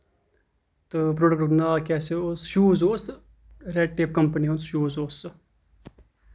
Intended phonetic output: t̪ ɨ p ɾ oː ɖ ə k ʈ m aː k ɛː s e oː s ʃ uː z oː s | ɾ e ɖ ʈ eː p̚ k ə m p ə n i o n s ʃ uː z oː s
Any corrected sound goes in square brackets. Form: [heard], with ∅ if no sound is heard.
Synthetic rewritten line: t̪ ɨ p ɾ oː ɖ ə k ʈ [n] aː k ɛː s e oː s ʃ uː z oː s | ɾ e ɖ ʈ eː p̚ k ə m p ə n i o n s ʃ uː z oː s